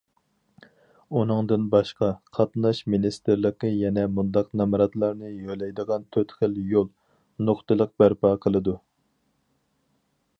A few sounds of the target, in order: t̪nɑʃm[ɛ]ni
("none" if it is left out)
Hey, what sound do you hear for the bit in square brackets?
i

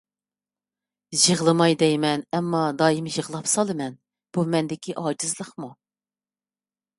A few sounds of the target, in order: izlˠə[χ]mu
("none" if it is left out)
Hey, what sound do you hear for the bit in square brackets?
χ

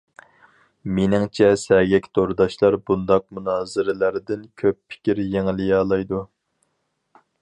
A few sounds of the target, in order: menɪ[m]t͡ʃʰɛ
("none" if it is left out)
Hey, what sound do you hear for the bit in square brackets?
ŋ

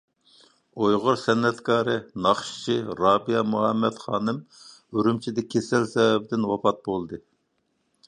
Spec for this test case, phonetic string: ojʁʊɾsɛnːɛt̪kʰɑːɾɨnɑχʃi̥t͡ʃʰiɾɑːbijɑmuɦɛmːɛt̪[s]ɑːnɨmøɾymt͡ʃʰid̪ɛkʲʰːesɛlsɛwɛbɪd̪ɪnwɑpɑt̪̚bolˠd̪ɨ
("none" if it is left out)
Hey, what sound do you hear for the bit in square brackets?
χ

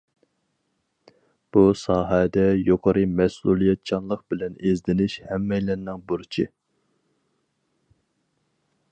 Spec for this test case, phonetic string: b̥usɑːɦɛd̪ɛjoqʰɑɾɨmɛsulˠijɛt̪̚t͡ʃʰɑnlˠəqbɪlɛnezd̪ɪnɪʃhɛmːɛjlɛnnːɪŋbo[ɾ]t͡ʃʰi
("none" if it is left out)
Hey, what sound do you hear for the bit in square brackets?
ɾ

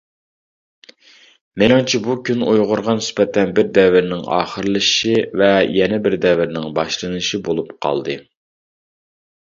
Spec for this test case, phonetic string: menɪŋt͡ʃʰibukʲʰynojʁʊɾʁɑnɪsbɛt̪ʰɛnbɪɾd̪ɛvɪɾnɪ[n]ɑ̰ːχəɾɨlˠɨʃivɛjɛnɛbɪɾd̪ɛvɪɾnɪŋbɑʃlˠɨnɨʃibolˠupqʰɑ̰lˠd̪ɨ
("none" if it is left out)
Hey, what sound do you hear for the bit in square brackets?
ŋ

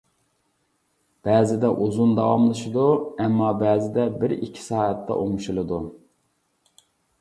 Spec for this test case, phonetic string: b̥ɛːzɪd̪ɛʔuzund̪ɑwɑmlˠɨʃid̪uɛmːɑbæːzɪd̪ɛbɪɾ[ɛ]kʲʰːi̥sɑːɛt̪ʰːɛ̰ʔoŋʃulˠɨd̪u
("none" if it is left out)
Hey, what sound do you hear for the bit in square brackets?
i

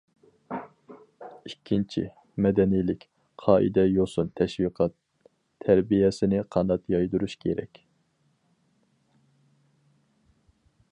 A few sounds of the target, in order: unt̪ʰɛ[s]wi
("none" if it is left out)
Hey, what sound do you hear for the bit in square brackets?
ʃ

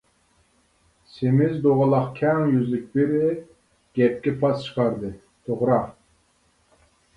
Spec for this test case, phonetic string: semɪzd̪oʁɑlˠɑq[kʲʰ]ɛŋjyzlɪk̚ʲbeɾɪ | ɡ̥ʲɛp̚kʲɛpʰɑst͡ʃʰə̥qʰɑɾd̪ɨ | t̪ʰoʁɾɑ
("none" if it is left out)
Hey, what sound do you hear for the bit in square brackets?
kʲʰ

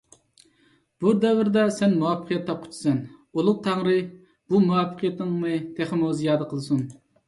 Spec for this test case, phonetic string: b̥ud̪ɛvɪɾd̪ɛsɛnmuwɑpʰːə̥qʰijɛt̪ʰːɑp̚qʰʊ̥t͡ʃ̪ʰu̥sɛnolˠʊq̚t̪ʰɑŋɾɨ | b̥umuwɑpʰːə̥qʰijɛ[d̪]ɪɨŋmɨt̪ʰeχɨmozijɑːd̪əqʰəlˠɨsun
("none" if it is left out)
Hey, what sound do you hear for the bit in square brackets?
t̪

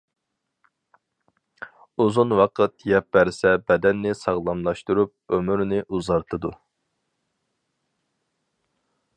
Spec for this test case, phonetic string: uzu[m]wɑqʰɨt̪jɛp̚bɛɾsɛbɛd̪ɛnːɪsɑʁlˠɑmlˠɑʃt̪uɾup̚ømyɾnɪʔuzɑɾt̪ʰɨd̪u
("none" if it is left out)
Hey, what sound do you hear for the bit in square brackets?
n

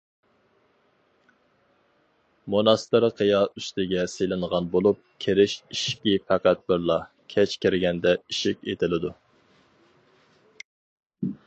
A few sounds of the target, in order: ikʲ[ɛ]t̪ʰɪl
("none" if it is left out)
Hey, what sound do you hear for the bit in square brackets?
e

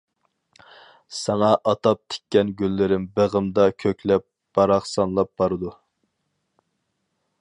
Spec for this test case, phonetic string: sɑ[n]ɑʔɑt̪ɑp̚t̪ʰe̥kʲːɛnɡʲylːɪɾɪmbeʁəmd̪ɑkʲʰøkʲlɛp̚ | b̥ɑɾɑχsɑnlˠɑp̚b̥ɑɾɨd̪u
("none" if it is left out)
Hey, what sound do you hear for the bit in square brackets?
ŋ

